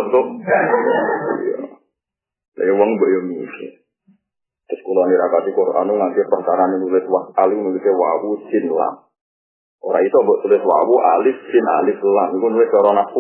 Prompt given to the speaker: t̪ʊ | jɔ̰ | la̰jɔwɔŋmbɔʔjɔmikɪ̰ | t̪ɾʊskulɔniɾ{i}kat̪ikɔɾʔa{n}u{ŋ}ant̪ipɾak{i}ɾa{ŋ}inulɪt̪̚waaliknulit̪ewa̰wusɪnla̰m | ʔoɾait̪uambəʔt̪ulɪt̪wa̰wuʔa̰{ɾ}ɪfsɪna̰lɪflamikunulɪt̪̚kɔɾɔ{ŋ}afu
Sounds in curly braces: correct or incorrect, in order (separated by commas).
incorrect, correct, correct, incorrect, incorrect, incorrect, incorrect